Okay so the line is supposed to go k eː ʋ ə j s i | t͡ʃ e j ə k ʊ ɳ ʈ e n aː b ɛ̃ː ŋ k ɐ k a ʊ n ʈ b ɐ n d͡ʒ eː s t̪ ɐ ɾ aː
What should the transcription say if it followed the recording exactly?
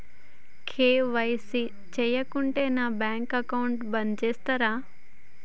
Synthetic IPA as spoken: kʰ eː ʋ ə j s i | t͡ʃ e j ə k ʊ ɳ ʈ e n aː b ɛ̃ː ŋ k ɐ k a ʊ ɳ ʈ b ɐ n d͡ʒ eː s t̪ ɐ ɾ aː